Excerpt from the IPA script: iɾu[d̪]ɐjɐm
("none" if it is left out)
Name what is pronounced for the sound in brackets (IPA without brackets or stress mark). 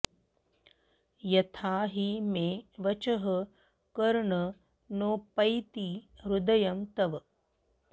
d̪